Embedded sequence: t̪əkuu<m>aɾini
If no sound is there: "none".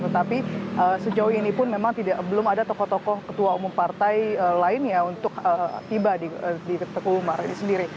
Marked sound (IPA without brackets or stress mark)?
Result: m